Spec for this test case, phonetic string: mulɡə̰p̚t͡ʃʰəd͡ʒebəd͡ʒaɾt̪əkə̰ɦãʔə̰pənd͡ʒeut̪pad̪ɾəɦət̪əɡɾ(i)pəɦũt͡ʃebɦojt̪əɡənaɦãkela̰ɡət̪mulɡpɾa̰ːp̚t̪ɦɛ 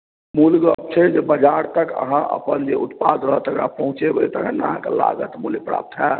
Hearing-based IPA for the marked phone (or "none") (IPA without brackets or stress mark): a